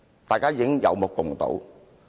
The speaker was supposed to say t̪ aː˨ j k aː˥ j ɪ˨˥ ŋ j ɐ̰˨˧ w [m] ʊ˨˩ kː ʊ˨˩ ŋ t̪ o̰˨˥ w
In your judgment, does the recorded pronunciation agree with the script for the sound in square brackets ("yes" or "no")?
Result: yes